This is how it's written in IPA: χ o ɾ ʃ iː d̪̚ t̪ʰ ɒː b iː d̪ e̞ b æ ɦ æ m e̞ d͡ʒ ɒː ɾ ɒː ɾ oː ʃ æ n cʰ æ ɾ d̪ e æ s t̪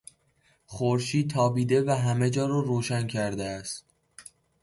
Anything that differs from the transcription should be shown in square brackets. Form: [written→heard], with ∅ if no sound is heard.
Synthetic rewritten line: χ o ɾ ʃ iː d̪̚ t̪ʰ ɒː b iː d̪ e̞ [b→v] æ ɦ æ m e̞ d͡ʒ ɒː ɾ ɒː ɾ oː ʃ æ n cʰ æ ɾ d̪ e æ s t̪